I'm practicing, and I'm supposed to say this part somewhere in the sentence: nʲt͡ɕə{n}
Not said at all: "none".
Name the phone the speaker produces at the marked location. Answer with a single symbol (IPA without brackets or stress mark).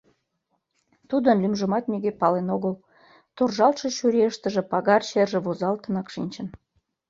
n